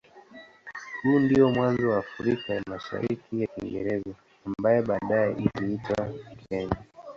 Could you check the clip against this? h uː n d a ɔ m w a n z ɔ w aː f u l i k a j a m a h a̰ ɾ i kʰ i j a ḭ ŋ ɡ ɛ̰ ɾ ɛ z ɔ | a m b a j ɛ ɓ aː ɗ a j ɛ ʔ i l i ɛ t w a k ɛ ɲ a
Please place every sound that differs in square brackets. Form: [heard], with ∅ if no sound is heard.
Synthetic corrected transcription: h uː n d [i] ɔ m w a n z ɔ w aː f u [ɾ] i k a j a m a [ʃ] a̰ ɾ i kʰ i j a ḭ ŋ ɡ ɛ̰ ɾ ɛ z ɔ | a m b a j ɛ ɓ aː ɗ a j ɛ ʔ i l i [i] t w a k ɛ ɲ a